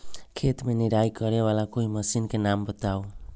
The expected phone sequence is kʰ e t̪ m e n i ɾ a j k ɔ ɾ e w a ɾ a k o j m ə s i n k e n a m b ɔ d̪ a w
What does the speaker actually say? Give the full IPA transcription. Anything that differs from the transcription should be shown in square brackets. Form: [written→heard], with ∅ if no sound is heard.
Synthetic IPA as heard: kʰ e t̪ m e n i ɾ a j k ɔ ɾ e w a [ɾ→l] a k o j m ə s i n k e n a m b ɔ [d̪→t̪] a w

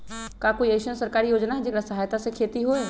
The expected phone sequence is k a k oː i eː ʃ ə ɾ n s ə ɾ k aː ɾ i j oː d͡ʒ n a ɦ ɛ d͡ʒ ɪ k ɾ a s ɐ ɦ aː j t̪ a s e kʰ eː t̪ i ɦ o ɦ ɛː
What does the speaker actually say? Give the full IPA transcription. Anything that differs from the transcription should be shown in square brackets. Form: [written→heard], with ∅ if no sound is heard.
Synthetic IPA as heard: k a k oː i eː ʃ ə [ɾ→∅] n s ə ɾ k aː ɾ i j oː d͡ʒ n a ɦ ɛ d͡ʒ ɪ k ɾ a s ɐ ɦ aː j t̪ a s e kʰ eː t̪ i ɦ o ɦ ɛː

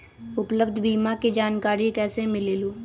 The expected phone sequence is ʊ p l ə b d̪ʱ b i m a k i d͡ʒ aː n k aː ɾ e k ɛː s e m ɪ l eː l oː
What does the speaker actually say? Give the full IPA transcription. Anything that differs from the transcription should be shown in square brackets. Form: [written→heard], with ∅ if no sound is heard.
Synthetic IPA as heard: ʊ p l ə b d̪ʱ b [i→iː] m a k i d͡ʒ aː n k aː ɾ [e→i] k ɛː s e m ɪ l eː l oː

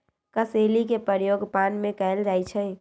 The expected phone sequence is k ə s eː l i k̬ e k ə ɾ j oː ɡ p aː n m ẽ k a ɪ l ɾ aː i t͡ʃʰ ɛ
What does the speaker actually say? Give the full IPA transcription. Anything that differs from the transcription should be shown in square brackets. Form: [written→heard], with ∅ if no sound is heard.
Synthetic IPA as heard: k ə s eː l i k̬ e [k→p] ə ɾ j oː ɡ p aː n m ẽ k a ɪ l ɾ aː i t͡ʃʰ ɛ

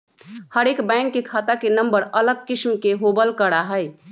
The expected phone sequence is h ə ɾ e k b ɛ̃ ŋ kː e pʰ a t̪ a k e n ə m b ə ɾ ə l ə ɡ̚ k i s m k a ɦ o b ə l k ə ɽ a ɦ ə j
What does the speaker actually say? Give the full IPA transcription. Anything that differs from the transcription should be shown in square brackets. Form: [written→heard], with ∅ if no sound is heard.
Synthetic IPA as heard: h ə ɾ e k b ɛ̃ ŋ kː e [pʰ→kʰ] a t̪ a k e n ə m b ə ɾ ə l ə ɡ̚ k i s m k [a→e] ɦ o b ə l k ə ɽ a ɦ ə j

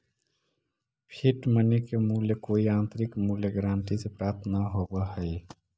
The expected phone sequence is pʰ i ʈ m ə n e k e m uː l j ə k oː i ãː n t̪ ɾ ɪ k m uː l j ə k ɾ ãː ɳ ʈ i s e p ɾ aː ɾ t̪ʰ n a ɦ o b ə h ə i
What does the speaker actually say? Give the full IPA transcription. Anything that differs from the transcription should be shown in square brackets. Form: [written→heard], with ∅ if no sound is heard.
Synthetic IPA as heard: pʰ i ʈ m ə n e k e m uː l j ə k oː i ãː n t̪ ɾ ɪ k m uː l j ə [k→ɡ] ɾ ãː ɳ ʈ i s e p ɾ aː ɾ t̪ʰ n a ɦ o b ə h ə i

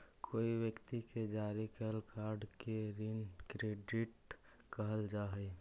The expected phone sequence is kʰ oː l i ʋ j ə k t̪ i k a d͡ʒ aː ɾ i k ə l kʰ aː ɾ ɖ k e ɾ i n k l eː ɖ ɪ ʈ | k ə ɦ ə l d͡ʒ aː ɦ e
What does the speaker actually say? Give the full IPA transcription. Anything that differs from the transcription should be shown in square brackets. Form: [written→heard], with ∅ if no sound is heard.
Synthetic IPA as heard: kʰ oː [l→∅] i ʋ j ə k t̪ i k [a→e] d͡ʒ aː ɾ i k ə l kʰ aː ɾ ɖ k e ɾ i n k [l→ɾ] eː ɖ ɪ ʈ | k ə ɦ ə l d͡ʒ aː ɦ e

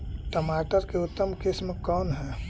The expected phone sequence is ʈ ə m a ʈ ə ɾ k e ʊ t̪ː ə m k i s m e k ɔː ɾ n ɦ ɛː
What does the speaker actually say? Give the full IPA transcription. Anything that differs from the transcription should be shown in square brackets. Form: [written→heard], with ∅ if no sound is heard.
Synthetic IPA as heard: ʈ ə m a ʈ ə ɾ k e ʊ t̪ː ə m k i s m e k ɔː [ɾ→∅] n ɦ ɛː

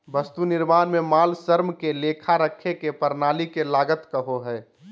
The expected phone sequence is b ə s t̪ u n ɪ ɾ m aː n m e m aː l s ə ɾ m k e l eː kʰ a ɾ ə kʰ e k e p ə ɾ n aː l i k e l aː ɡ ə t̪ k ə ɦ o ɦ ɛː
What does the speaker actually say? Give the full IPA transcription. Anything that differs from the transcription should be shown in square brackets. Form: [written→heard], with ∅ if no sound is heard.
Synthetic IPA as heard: b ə s t̪ u n ɪ ɾ m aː n m e m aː l s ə ɾ m k e l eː kʰ a ɾ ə kʰ e k e p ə ɾ n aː l i k e l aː ɡ ə t̪ k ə ɦ o ɦ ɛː

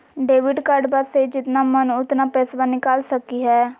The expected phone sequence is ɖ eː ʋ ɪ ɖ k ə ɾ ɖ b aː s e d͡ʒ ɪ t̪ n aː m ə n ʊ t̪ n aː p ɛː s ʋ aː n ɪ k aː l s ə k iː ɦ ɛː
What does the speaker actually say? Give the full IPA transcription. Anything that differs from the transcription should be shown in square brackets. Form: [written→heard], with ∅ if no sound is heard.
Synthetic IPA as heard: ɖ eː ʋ ɪ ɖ k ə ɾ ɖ b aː s e d͡ʒ ɪ t̪ n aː m ə n ʊ t̪ n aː p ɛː s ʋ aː n ɪ k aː l s ə k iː ɦ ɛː

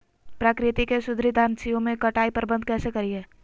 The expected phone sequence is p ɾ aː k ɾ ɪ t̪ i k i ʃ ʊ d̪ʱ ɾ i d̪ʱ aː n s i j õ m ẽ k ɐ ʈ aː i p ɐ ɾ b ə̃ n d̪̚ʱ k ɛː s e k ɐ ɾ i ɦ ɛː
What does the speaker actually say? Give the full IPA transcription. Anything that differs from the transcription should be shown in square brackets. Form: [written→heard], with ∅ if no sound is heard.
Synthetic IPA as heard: p ɾ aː k ɾ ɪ t̪ i k [i→e] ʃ ʊ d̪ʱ ɾ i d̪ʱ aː n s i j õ m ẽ k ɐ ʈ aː i p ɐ ɾ b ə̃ n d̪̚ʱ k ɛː s e k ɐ ɾ i ɦ ɛː

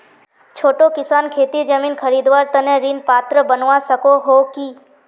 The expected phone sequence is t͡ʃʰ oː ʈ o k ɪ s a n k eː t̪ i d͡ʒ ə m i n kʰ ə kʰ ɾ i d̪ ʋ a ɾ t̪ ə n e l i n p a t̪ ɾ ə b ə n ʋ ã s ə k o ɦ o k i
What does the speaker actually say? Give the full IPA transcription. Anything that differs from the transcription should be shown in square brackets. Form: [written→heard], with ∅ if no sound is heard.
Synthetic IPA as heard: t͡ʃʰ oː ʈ o k ɪ s a n [k→kʰ] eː t̪ i d͡ʒ ə m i n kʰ ə [kʰ→∅] ɾ i d̪ ʋ a ɾ t̪ ə n e [l→ɾ] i n p a t̪ ɾ ə b ə n ʋ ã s ə k o ɦ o k i

